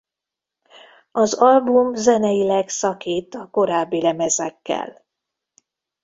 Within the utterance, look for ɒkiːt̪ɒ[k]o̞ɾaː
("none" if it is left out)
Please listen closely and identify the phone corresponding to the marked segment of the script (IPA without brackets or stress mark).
k